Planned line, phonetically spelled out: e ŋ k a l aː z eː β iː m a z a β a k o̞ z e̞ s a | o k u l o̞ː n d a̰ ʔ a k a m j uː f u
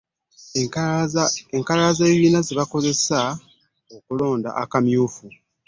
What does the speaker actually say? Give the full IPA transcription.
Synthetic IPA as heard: e ŋ k a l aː z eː β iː n a z i β a k o̞ z e̞ s a | o k u l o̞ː n d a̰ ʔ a k a m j uː f u